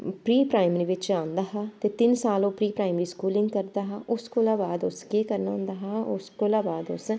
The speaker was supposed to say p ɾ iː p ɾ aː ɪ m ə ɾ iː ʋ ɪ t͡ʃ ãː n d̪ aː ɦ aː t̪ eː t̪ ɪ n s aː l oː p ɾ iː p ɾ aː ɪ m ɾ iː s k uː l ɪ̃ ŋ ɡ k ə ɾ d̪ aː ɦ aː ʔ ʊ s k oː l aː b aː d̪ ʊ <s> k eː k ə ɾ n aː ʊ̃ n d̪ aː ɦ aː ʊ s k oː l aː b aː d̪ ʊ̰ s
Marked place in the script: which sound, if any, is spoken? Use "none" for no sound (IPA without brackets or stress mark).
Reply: s